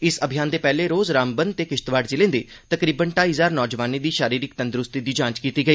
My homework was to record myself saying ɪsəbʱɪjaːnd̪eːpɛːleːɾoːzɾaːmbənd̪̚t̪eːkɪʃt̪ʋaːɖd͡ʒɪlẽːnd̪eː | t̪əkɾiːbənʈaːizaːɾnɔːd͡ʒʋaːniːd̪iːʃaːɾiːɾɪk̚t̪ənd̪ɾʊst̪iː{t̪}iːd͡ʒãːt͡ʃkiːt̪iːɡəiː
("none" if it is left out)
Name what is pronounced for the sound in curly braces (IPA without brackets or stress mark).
d̪